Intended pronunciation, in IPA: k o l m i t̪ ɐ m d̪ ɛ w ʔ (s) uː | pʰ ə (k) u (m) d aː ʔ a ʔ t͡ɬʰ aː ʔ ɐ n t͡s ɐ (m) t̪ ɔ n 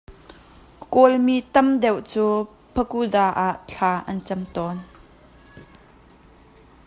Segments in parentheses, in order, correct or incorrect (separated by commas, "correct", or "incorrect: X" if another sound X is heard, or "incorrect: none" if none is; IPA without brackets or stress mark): incorrect: t͡s, correct, incorrect: none, correct